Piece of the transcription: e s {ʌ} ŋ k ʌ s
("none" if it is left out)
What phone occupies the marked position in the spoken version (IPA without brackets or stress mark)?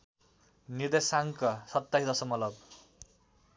a